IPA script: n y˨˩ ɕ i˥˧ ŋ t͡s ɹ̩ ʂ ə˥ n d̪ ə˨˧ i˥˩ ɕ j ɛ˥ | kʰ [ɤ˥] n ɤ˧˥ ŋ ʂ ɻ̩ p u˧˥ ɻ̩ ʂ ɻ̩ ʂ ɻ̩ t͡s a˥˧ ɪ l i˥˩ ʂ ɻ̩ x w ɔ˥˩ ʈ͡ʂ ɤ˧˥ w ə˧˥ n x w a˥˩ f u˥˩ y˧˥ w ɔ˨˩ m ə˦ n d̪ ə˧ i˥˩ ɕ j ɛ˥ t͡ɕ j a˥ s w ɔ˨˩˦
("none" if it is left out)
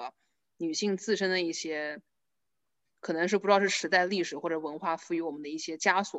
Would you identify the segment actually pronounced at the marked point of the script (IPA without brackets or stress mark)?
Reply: ɤ˨˩